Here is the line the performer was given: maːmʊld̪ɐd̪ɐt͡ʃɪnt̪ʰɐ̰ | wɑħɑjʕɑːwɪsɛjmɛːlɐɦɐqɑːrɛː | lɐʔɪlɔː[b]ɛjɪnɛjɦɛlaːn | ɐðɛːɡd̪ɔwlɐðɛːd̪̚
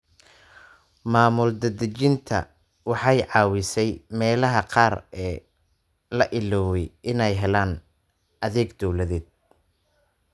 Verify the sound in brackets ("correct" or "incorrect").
incorrect